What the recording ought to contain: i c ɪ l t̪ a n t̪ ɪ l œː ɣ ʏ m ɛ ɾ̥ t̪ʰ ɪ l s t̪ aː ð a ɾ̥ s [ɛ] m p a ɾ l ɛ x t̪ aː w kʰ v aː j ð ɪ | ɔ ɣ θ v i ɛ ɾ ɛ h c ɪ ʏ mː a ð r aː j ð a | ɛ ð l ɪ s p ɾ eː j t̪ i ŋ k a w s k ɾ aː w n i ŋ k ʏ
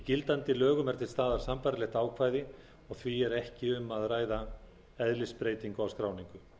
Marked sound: incorrect: a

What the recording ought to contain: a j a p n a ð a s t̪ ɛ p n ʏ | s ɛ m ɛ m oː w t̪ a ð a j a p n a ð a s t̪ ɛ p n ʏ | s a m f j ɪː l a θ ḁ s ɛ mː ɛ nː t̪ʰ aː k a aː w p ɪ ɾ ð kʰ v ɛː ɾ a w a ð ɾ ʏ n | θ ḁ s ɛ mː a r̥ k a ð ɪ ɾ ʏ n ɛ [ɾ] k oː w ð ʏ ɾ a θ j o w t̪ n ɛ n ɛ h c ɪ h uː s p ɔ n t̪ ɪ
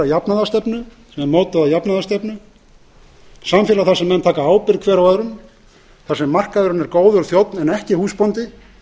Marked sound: correct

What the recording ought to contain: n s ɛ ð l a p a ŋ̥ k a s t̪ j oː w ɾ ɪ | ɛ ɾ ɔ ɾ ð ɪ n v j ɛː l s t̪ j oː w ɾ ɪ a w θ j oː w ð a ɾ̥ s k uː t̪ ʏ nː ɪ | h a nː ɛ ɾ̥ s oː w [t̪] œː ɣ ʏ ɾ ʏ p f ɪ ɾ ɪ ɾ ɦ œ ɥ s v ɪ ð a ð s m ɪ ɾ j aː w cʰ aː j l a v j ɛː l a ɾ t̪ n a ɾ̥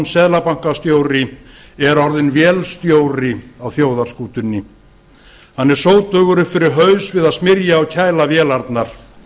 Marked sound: correct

